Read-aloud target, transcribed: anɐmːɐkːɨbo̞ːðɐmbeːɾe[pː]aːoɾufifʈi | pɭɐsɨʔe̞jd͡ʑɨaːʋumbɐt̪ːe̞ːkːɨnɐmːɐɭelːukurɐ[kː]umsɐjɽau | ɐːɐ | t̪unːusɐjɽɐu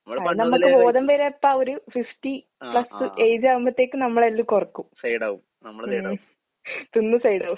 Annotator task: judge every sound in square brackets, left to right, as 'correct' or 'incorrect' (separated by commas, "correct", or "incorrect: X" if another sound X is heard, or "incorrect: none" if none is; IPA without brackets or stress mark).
correct, correct